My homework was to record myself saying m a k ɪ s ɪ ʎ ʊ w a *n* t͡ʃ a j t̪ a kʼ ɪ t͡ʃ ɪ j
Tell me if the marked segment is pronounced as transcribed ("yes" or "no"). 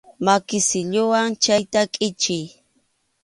no